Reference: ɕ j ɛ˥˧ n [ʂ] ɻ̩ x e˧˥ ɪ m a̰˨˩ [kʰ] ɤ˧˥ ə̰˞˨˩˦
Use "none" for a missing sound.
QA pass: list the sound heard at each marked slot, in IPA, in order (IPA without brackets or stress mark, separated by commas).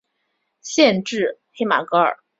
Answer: ʈ͡ʂ, k